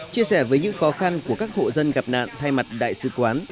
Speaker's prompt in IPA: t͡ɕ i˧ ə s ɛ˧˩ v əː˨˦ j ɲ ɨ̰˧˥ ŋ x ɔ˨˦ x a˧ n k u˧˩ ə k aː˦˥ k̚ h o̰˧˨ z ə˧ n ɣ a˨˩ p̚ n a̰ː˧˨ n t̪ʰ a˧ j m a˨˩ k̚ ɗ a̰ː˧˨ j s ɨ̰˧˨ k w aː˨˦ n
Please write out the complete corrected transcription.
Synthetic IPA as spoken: t͡ɕ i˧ ə s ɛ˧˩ v əː˨˦ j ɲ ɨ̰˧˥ ŋ x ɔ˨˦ x a˧ n k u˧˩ ə k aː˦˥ k̚ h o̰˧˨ z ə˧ n ɣ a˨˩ p̚ n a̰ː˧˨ n t̪ʰ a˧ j m a˨˩ t̚ ɗ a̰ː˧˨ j s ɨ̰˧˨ k w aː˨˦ n

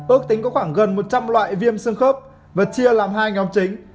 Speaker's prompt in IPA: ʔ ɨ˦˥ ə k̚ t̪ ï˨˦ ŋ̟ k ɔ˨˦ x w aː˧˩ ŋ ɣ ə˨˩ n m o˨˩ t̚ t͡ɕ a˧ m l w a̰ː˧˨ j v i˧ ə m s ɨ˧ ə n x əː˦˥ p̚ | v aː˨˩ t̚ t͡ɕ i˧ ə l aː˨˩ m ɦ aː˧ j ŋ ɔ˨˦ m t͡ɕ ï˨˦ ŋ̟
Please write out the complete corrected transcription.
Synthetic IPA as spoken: ʔ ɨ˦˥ ə k̚ t̪ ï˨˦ ŋ̟ k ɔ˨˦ x w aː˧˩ ŋ ɣ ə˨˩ n m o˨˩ t̚ t͡ɕ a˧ m l w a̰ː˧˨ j v i˧ ə m s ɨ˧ ə ŋ x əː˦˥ p̚ | v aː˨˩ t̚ t͡ɕ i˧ ə l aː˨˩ m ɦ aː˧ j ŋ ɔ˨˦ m t͡ɕ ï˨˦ ŋ̟

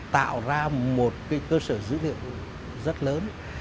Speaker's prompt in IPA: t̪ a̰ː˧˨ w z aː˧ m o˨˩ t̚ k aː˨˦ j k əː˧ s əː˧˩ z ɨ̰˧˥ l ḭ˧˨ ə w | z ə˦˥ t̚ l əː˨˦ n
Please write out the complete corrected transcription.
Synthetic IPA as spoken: t̪ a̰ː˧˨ w z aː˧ m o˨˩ t̚ k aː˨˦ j k əː˧ s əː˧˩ z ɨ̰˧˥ l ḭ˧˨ ə w | z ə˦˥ t̚ l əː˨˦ n

